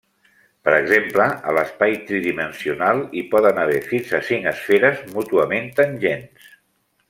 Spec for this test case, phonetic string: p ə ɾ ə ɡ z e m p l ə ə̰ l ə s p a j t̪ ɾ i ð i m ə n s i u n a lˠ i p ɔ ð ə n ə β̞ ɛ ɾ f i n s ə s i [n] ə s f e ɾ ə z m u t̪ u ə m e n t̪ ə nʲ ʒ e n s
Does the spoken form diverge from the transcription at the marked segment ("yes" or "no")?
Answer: yes